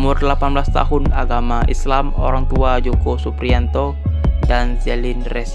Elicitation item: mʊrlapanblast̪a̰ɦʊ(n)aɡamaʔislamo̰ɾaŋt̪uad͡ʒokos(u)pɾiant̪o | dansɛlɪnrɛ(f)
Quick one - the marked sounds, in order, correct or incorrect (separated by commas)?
correct, correct, incorrect